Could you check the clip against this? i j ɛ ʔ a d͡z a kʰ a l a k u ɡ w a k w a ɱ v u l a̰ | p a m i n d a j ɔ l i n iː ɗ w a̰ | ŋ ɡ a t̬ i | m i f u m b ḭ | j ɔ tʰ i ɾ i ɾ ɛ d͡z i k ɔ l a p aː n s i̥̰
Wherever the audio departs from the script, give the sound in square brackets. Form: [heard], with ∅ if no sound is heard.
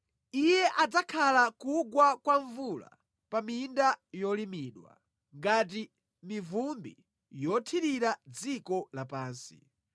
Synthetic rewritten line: i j ɛ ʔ a d͡z a kʰ a l a k u ɡ w a k w a ɱ v u l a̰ | p a m i n d a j ɔ l i [m] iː ɗ w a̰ | ŋ ɡ a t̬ i | m i [v] u m b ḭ | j ɔ tʰ i ɾ i ɾ [a] d͡z i k ɔ l a p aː n s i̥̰